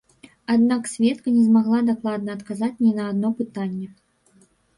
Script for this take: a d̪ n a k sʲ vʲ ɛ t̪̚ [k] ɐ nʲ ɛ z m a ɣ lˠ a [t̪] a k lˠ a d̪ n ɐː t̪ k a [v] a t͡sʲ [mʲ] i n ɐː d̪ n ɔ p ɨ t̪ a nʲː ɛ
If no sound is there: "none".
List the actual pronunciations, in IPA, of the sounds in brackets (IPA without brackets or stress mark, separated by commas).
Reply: k, d̪, z, nʲ